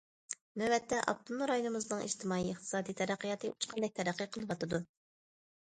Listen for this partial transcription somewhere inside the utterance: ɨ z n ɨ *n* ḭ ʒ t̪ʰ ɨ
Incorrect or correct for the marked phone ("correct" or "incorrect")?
incorrect